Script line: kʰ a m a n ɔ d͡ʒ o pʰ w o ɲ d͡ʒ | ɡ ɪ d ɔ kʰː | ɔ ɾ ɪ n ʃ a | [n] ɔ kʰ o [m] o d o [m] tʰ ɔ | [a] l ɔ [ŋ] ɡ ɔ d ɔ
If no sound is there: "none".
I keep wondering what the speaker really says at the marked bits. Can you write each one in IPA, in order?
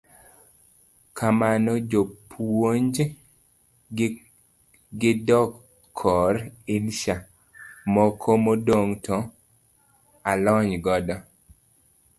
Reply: m, m, ŋ, a, ɲ

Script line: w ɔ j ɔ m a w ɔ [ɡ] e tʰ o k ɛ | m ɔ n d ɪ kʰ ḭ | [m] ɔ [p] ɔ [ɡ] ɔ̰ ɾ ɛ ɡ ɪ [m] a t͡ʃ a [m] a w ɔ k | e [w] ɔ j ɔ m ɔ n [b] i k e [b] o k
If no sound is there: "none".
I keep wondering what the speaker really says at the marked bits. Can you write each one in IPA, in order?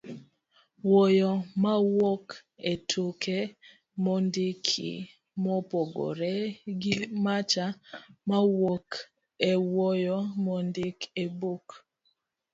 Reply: k, m, p, ɡ, m, m, w, d, b

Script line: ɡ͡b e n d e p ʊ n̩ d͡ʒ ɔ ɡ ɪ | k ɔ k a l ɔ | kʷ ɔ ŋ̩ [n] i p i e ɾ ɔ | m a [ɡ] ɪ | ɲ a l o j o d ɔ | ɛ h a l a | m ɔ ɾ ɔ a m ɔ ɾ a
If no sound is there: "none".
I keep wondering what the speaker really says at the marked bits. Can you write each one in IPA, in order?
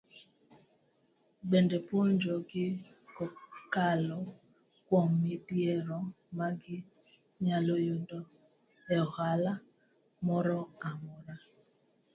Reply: m, ɡ

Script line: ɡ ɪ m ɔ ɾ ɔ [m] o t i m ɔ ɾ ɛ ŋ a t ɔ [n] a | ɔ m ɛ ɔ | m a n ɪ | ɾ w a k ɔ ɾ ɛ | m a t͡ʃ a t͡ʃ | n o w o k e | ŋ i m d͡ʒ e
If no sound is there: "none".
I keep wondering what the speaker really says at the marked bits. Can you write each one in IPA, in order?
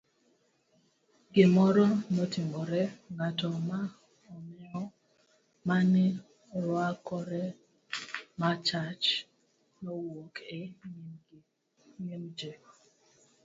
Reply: n, m

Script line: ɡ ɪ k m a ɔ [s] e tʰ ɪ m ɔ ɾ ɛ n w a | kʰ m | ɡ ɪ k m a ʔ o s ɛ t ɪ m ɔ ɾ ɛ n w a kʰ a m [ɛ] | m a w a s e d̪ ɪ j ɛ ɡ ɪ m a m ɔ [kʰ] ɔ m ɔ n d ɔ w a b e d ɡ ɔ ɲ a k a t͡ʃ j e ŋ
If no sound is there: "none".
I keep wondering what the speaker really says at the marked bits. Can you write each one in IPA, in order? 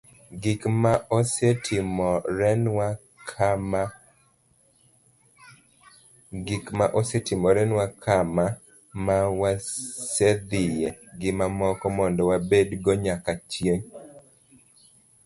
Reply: s, a, k

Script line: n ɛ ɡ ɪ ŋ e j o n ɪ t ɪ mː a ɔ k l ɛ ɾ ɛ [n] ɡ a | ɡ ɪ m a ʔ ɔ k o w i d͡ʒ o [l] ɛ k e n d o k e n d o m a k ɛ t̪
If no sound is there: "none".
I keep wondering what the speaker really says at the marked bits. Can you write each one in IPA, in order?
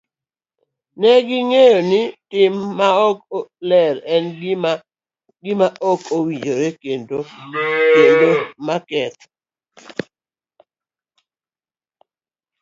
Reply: n, ɾ

